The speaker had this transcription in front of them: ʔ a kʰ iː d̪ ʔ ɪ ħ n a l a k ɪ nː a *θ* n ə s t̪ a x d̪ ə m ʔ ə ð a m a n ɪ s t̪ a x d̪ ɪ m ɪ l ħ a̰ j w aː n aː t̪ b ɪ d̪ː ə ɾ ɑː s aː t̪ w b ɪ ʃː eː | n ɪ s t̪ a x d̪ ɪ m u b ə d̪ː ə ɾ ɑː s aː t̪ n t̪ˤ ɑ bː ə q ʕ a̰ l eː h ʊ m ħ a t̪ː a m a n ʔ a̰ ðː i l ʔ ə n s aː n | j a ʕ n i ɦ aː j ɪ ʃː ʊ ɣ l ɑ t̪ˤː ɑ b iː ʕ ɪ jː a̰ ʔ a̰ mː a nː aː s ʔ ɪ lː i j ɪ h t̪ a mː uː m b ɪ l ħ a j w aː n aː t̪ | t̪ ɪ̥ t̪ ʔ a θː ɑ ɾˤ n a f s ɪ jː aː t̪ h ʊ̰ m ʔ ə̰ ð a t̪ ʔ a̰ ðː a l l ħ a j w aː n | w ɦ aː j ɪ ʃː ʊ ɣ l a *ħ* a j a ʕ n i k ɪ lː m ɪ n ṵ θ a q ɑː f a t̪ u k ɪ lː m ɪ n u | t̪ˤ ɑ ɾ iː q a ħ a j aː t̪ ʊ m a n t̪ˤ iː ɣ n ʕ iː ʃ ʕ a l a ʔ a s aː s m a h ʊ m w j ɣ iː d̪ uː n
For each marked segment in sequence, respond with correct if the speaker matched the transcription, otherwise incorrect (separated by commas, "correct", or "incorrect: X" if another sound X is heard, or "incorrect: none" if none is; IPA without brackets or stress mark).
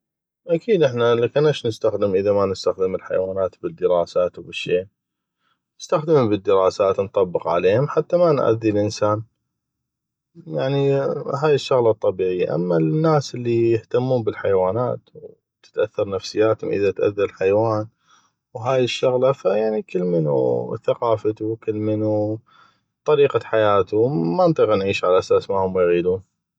incorrect: ʃ, incorrect: f